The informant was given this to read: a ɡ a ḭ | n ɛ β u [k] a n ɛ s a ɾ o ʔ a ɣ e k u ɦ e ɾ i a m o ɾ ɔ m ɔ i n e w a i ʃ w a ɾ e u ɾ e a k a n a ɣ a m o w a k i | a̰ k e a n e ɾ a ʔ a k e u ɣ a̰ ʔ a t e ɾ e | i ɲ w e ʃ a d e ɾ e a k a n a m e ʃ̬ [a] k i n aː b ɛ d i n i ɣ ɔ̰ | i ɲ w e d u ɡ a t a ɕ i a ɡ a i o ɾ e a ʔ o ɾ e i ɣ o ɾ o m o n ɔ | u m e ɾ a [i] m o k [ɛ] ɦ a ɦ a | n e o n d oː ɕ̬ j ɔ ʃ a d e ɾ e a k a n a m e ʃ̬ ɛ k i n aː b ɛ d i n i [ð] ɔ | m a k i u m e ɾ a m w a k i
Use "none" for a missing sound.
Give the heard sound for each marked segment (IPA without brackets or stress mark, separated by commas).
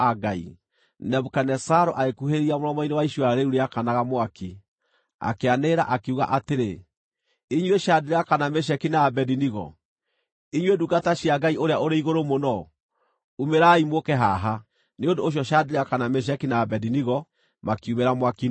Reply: k, ɛ, i, ɛ, ɣ